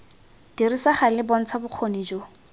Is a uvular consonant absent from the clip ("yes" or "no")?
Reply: no